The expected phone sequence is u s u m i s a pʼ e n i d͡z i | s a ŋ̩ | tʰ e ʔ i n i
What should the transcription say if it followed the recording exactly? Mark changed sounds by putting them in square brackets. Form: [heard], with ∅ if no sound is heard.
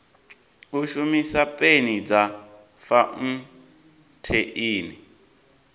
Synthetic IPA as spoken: u [ʃ] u m i s a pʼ e n i d͡z [a] | [f] a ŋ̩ | tʰ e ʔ [iː] n i

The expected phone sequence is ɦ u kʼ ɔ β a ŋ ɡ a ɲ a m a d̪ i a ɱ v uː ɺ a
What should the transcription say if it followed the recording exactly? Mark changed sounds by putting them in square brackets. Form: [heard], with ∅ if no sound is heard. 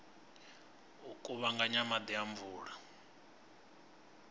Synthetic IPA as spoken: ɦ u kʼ [u] β a ŋ ɡ a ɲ a m a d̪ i a ɱ v uː ɺ a

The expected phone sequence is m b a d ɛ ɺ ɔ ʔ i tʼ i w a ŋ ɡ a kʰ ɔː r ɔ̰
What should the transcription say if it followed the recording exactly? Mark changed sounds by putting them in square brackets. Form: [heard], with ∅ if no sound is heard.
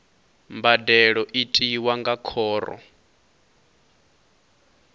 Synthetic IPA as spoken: m b a d ɛ ɺ ɔ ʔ i tʼ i w a ŋ ɡ a kʰ ɔː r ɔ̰

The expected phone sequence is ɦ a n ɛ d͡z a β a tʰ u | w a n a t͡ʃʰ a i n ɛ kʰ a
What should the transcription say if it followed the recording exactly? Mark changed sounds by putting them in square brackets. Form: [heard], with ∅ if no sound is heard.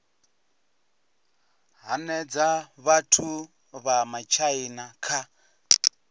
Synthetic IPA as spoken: ɦ a n ɛ d͡z a β a tʰ u | [β] a [m] a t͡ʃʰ a i n [a] kʰ a

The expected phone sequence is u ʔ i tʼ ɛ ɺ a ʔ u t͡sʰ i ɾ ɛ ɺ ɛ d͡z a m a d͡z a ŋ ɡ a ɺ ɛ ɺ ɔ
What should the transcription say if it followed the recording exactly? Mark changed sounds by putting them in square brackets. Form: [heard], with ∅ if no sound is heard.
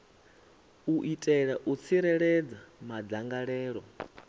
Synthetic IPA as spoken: u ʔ i tʼ ɛ ɺ a ʔ u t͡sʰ i ɾ ɛ ɺ ɛ d͡z a m a d͡z a ŋ ɡ a ɺ [ɛː] ɺ ɔ

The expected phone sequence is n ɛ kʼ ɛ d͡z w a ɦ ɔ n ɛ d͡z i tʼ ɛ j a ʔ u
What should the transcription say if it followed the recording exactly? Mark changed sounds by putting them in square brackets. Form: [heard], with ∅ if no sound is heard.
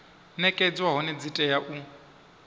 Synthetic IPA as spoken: n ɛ kʼ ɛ d͡z w a ɦ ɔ n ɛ d͡z i tʼ ɛ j a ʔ u

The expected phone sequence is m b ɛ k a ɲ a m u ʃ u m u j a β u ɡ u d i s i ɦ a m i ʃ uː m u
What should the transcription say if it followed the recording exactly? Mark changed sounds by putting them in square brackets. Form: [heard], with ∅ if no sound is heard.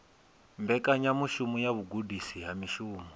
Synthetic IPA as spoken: m b ɛ k a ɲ a m u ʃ u m u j a β u ɡ u d i s i ɦ a m i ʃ uː m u

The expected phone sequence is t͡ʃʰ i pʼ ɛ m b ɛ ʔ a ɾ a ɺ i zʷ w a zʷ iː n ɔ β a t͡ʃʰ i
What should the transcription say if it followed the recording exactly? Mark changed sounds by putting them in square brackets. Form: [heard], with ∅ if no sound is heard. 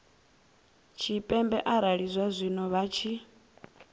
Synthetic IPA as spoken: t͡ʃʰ i pʼ ɛ m b ɛ ʔ a ɾ a ɺ i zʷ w a zʷ [i] n ɔ β a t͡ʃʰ i

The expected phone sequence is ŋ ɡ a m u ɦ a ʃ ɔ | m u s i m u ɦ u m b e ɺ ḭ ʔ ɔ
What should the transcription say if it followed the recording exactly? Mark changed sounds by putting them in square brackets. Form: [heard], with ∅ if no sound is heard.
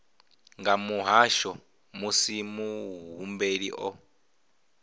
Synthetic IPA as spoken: ŋ ɡ a m u ɦ a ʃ ɔ | m u s i m u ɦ u m b e ɺ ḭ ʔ ɔ

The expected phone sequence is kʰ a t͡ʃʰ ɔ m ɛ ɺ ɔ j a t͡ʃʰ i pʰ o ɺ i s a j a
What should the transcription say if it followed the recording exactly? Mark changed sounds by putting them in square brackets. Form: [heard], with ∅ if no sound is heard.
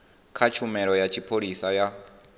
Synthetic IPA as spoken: kʰ a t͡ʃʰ [u] m ɛ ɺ ɔ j a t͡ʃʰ i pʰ o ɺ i s a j a

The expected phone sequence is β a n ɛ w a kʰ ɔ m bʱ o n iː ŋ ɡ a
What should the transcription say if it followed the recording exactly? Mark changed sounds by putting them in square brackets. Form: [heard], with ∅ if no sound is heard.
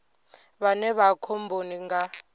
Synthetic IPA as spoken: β a n ɛ [β] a kʰ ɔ m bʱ o n [i] ŋ ɡ a

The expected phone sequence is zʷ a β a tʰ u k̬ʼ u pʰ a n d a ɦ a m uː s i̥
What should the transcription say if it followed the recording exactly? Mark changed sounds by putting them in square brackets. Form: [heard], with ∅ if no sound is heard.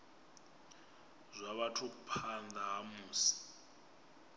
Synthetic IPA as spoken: zʷ a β a tʰ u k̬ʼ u pʰ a n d a ɦ a m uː s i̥

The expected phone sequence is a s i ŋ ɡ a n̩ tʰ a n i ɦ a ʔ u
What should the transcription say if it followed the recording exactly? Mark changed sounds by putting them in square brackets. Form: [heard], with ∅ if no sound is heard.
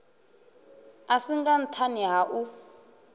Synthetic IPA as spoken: a s i ŋ ɡ a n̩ tʰ a n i ɦ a ʔ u

